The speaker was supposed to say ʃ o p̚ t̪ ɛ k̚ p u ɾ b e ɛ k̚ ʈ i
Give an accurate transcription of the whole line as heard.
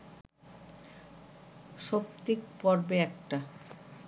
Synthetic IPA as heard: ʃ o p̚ t̪ i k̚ p ɔ ɾ b e ɛ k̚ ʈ a